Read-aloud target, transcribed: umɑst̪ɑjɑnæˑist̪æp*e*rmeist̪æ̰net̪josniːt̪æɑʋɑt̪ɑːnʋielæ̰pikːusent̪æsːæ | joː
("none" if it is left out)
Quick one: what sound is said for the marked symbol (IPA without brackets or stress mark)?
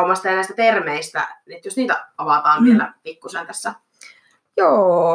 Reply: e